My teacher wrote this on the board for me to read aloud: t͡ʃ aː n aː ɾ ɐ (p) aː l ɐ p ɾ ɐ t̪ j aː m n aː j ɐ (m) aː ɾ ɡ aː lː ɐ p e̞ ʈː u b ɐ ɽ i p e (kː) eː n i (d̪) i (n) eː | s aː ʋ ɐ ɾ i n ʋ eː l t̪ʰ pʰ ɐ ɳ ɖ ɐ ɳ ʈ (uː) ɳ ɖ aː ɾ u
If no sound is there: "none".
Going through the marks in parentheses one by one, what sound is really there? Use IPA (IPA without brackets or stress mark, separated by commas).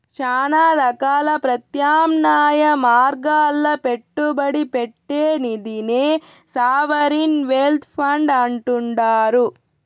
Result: k, m, ʈː, d̪, n, u